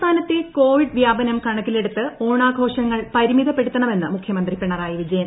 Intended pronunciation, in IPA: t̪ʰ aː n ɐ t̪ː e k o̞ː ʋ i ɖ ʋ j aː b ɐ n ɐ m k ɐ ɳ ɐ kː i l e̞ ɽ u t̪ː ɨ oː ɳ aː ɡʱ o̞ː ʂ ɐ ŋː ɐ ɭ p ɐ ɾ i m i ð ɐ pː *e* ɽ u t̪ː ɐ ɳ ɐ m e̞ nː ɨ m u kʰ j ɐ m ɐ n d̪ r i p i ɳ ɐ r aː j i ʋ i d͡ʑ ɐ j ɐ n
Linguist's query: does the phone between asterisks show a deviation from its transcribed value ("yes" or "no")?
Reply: no